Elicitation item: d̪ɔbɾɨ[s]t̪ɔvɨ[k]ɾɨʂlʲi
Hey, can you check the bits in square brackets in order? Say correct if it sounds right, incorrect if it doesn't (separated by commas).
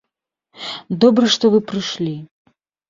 incorrect, incorrect